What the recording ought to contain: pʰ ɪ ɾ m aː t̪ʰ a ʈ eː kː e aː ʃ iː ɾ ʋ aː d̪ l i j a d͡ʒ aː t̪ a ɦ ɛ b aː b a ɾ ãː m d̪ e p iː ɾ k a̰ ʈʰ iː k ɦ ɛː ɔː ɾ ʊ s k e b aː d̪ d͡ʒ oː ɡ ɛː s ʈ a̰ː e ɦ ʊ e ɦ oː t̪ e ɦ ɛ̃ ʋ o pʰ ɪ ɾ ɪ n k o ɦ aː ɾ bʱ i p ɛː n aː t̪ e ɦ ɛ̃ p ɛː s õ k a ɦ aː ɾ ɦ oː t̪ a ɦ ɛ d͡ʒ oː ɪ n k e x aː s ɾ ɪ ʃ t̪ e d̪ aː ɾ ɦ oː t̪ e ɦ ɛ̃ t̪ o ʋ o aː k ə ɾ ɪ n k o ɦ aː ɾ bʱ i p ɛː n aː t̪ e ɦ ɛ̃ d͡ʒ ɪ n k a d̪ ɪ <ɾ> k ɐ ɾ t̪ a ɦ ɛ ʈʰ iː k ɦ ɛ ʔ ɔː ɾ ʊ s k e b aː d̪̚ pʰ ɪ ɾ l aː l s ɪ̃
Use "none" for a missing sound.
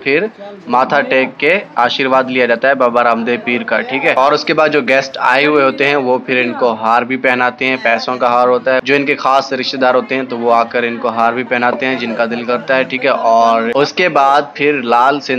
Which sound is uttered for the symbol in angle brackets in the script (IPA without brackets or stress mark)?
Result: l